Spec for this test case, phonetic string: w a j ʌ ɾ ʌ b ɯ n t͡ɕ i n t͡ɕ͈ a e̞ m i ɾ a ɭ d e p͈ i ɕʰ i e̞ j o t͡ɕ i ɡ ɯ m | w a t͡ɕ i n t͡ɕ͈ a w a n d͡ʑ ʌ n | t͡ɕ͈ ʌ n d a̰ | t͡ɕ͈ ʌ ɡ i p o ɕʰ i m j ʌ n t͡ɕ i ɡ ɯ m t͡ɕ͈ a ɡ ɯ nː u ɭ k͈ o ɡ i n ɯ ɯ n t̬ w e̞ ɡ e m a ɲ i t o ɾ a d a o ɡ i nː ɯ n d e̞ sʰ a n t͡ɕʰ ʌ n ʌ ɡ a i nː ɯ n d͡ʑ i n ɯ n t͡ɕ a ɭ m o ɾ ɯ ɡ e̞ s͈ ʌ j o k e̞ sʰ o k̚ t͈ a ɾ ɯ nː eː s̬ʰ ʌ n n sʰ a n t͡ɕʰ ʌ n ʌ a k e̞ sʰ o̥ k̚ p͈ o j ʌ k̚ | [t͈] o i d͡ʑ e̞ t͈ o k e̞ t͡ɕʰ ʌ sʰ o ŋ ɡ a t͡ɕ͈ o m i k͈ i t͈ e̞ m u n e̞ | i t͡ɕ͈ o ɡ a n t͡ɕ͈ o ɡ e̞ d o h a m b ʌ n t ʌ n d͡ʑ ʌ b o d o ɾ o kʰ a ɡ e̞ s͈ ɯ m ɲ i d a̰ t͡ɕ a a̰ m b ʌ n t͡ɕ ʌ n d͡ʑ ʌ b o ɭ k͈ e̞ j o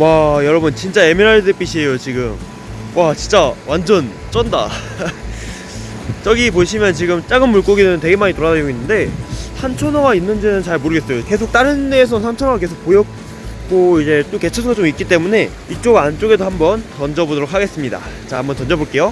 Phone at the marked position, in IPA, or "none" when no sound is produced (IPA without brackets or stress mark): k͈